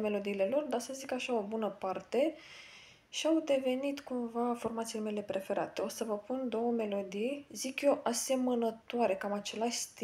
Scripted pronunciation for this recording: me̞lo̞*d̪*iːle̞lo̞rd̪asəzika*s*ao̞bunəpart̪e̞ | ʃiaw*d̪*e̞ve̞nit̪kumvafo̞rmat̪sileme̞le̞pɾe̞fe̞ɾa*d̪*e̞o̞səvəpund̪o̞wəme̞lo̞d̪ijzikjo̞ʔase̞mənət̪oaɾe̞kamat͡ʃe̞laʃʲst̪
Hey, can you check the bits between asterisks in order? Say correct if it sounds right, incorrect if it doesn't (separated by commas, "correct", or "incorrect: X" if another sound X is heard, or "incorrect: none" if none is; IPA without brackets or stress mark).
correct, incorrect: ʃ, correct, incorrect: t̪